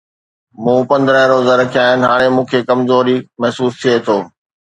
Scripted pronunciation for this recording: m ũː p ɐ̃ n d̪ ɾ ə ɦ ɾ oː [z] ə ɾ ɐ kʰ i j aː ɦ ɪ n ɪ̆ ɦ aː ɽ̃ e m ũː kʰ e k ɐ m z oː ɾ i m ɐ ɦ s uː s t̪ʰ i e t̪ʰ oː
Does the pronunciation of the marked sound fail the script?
no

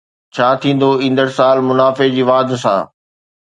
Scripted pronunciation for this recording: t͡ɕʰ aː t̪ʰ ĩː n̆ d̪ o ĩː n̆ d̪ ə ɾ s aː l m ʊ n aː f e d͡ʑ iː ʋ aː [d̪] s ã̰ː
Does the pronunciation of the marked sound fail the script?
no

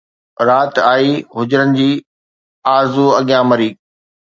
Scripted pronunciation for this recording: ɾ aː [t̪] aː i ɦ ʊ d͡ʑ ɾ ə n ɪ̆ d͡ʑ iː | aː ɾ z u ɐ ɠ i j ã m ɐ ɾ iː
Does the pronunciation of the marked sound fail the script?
no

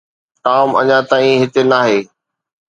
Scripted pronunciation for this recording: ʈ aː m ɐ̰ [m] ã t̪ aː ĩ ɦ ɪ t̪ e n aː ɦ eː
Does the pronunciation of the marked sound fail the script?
yes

